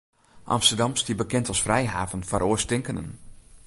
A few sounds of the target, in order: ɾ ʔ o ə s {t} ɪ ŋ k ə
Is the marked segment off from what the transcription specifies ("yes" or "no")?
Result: no